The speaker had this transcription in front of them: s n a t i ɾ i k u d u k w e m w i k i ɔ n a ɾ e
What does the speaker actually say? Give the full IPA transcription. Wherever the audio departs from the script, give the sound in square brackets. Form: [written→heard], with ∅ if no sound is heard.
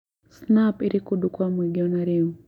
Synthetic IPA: s n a [t→p] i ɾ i k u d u k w [e→a] m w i [k→ɡ] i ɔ n a ɾ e